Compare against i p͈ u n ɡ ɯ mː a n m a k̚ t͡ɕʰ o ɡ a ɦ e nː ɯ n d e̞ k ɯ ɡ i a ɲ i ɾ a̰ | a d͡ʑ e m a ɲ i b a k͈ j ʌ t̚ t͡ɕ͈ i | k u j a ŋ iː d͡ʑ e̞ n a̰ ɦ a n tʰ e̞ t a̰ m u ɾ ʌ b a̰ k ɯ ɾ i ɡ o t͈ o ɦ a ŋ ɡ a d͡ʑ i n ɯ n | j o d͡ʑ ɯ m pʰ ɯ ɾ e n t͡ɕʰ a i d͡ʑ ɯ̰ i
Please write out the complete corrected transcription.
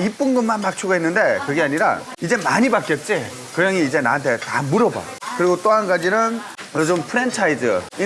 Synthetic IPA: i p͈ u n ɡ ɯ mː a n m a k̚ t͡ɕʰ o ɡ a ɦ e nː ɯ n d e̞ k ɯ ɡ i a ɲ i ɾ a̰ | i d͡ʑ e m a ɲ i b a k͈ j ʌ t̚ t͡ɕ͈ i | k ɯ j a ŋ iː d͡ʑ e̞ n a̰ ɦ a n tʰ e̞ t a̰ m u ɾ ʌ b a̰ k ɯ ɾ i ɡ o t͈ o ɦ a n ɡ a d͡ʑ i n ɯ n | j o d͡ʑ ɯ m pʰ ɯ ɾ e n t͡ɕʰ a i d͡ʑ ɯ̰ i